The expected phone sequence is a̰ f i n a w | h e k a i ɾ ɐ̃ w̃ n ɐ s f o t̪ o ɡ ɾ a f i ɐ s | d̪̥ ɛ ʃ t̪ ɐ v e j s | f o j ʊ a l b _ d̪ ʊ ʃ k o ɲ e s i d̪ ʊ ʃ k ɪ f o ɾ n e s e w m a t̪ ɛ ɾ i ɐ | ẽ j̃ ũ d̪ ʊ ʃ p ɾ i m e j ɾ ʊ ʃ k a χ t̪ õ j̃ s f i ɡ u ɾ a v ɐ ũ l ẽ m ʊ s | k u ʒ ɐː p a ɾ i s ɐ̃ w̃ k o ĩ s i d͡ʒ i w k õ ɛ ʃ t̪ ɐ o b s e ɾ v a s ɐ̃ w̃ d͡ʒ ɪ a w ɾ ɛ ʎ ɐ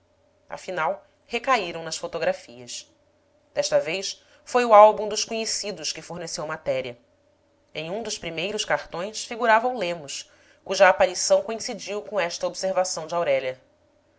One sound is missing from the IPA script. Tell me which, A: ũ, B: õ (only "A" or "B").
A